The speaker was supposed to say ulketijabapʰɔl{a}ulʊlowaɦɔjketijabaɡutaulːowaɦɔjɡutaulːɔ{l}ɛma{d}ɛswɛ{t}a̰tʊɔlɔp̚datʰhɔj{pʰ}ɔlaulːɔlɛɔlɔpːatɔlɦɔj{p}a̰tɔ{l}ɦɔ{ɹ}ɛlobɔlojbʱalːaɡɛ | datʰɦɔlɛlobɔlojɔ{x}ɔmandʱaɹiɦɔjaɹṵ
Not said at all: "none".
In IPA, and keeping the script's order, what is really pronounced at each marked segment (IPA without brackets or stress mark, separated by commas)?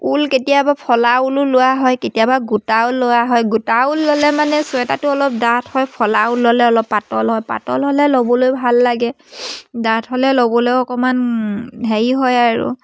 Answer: a, l, n, t, pʰ, p, l, l, k